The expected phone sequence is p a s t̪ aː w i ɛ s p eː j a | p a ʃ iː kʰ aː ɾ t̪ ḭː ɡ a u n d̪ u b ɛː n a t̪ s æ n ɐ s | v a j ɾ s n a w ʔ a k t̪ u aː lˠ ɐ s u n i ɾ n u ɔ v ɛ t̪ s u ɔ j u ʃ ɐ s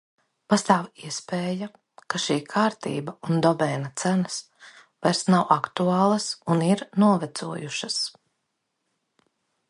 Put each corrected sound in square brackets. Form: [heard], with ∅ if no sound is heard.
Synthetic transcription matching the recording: p a s t̪ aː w i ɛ s p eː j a | [k] a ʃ iː kʰ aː ɾ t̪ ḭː [b] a u n d̪ [ɔ] b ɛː n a t̪ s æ n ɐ s | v a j ɾ s n a w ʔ a k t̪ u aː lˠ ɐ s u n i ɾ n u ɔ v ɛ t̪ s u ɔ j u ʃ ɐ s